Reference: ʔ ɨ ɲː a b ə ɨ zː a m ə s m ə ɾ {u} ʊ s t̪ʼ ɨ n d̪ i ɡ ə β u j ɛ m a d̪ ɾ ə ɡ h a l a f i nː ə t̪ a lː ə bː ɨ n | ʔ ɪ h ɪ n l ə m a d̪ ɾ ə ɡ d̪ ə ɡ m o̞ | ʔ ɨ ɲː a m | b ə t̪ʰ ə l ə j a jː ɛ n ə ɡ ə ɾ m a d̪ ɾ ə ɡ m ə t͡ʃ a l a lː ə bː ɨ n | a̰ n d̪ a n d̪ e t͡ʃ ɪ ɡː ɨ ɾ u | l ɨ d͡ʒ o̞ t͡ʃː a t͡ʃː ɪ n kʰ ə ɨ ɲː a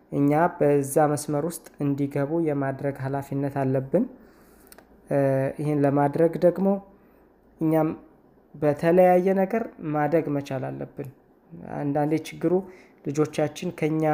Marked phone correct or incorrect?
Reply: incorrect